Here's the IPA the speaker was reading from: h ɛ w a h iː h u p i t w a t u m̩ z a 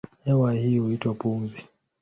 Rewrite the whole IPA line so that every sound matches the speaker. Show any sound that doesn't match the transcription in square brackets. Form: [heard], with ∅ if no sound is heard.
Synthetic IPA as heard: h ɛ w a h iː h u [∅] i t w a [p] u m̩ z [i]